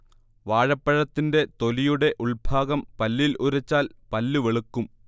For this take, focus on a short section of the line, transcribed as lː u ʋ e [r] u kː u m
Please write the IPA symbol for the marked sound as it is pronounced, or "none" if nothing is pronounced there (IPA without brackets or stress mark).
ɭ